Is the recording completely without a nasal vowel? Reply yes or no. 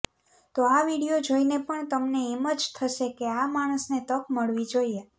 yes